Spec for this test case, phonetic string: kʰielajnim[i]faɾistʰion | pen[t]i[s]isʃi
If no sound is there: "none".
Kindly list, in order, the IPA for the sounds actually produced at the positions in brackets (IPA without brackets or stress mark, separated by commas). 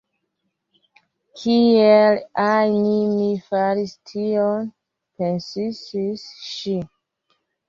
i, s, s